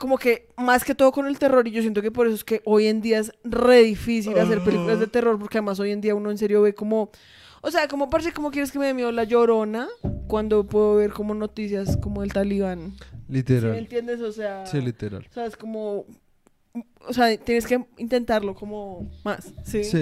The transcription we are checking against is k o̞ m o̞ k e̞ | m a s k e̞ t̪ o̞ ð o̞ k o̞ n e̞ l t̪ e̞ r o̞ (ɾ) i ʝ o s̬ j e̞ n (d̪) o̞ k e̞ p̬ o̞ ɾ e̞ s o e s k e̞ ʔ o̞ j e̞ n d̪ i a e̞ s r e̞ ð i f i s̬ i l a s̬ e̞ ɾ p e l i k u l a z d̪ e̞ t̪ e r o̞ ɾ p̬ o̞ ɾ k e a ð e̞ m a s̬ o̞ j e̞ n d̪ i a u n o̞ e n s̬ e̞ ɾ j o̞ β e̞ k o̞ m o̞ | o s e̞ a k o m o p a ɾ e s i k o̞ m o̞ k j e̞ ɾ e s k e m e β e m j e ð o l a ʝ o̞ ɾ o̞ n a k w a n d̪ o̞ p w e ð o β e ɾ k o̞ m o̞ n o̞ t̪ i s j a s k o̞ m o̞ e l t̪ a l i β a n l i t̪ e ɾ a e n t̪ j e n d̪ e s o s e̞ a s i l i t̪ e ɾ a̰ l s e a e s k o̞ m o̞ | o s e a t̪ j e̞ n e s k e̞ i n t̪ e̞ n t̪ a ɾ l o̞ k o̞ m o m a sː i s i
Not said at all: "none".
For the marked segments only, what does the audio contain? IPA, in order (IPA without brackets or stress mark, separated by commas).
ɾ, t̪